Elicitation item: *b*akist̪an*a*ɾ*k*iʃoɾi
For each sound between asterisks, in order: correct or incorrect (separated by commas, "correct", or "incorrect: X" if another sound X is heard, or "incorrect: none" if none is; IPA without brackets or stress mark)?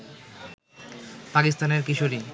incorrect: p, incorrect: e, correct